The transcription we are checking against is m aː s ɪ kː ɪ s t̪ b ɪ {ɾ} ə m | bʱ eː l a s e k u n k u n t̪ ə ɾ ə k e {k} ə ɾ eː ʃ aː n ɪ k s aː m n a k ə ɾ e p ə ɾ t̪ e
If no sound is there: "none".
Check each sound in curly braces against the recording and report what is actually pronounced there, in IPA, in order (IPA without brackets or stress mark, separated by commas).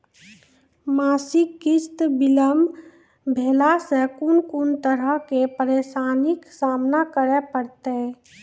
l, p